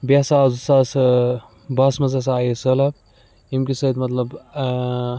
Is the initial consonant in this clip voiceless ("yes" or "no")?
no